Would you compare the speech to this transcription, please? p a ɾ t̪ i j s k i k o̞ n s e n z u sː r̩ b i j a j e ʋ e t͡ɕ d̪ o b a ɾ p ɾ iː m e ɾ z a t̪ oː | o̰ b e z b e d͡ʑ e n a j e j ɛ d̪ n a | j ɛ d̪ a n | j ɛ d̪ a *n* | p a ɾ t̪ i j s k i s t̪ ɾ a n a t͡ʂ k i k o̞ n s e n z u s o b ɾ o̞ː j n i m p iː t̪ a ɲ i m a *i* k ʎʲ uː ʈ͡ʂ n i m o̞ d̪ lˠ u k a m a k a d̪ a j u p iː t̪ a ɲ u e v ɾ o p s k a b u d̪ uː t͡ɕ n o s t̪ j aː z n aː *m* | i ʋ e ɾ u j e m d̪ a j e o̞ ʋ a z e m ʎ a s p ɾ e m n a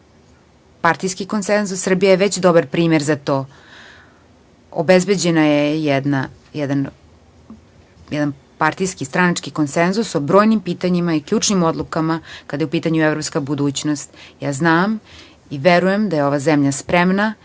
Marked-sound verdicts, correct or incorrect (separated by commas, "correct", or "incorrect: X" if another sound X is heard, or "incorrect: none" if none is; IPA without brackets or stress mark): correct, correct, correct